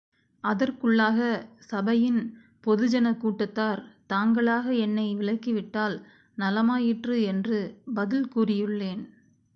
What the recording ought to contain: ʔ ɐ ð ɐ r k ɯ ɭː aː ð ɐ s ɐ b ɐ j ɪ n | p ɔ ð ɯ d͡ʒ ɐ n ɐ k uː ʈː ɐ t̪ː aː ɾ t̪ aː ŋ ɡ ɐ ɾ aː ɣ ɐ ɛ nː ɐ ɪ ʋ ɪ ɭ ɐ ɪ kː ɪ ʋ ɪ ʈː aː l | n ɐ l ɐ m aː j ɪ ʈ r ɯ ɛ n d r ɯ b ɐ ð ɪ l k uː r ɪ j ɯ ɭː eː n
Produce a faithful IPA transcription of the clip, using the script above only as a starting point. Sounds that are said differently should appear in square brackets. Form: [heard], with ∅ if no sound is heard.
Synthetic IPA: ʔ ɐ ð ɐ r k ɯ ɭː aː [ɣ] ɐ s ɐ b ɐ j ɪ n | p ɔ ð ɯ d͡ʒ ɐ n ɐ k uː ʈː ɐ t̪ː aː ɾ t̪ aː ŋ ɡ ɐ [ɭ] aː ɣ ɐ ɛ nː ɐ ɪ ʋ ɪ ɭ ɐ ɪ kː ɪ ʋ ɪ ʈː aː l | n ɐ l ɐ m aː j ɪ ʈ r ɯ ɛ n d r ɯ b ɐ ð ɪ l k uː r ɪ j ɯ ɭː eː n